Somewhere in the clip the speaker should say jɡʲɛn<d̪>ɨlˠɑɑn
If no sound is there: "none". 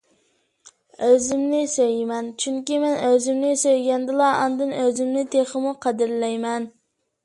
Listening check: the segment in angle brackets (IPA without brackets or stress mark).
d̪